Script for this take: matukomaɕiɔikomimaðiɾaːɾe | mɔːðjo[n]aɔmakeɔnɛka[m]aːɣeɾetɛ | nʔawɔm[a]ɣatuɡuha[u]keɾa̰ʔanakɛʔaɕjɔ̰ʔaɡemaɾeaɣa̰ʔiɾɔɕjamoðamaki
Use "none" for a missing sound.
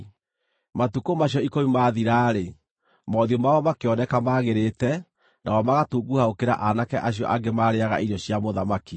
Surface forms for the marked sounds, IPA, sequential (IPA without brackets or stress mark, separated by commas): m, m, a, o